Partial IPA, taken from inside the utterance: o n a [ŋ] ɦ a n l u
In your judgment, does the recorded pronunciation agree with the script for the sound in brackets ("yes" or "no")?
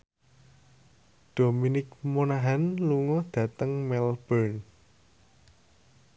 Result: no